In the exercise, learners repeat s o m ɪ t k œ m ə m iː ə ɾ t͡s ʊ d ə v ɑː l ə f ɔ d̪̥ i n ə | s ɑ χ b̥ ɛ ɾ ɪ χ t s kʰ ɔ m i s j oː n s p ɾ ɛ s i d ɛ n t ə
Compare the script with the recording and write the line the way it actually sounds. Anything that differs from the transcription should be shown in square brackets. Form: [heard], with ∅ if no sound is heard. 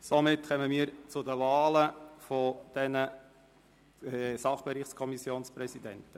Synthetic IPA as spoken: s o m ɪ t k œ m ə m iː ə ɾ t͡s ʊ d ə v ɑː l ə f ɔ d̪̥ [ɛ] n ə | s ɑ χ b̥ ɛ ɾ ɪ χ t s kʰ ɔ m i s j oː n s p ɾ ɛ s i d ɛ n t ə